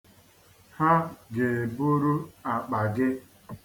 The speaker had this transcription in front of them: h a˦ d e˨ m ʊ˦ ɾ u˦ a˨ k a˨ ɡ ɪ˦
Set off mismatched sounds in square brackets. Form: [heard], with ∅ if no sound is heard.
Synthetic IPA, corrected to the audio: h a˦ [ɡ] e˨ [b] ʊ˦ ɾ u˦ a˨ [k͡p] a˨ ɡ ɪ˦